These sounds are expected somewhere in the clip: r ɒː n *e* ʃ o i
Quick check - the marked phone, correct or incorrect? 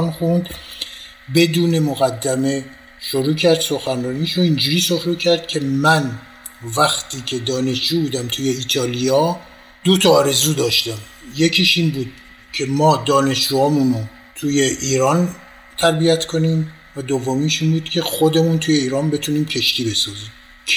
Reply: incorrect